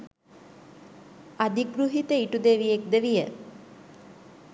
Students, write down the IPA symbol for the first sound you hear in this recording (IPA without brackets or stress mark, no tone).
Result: a